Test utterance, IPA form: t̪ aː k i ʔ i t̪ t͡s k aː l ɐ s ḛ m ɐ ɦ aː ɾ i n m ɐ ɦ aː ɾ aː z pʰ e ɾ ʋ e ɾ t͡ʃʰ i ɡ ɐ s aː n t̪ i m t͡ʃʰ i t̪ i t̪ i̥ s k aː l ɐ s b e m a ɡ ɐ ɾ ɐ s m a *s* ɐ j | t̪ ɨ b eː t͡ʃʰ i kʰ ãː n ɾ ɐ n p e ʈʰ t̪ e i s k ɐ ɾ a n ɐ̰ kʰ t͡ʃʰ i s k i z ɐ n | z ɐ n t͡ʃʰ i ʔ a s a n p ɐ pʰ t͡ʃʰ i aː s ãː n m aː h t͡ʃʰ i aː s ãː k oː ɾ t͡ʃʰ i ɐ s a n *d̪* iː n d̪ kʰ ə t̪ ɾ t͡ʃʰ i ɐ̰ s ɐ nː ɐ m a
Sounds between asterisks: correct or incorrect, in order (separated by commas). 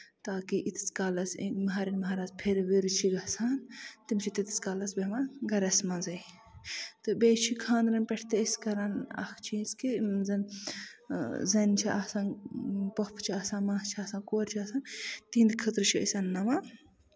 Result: incorrect, incorrect